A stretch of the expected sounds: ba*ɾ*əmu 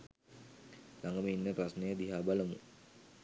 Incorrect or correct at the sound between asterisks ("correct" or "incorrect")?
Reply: incorrect